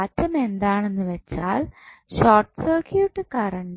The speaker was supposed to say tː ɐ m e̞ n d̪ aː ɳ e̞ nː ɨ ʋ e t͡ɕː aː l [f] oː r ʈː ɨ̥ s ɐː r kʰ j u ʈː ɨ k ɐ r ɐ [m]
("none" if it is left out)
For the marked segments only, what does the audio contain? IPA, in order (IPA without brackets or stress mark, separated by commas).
ɕ, ɳ